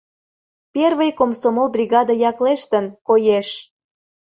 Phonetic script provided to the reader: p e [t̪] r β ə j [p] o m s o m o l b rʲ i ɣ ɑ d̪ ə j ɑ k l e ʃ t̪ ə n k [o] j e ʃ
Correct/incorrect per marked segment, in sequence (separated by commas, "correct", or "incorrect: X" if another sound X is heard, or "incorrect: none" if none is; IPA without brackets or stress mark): incorrect: none, incorrect: k, correct